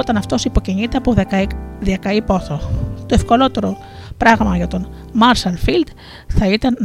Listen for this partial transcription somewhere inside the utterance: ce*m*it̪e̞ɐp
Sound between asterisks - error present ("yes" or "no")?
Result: yes